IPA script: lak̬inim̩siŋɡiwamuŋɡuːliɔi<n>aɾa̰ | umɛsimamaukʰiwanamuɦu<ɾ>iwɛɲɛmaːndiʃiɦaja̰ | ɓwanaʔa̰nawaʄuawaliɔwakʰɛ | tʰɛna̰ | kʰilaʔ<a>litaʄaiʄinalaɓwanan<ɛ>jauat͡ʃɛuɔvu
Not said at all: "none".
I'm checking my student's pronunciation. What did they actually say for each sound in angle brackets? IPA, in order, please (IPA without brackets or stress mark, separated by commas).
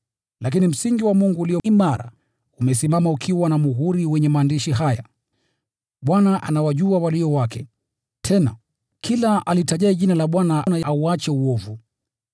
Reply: m, ɾ, a, a